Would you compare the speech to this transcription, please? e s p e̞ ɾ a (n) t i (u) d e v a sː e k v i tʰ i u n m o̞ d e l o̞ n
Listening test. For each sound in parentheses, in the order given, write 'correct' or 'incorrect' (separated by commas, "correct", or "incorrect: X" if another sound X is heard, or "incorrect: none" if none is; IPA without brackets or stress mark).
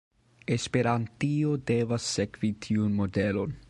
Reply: correct, incorrect: o